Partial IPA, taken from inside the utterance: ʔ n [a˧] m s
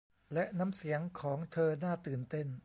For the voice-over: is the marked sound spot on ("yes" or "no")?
no